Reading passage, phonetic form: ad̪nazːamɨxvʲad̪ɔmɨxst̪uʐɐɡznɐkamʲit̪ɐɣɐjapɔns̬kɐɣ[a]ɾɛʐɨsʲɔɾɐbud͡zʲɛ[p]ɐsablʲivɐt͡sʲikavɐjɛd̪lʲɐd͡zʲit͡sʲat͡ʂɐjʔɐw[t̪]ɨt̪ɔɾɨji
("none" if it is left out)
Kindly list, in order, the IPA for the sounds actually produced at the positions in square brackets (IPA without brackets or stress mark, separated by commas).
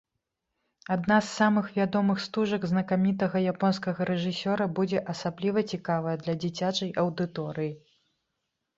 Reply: ɐ, ʔ, d̪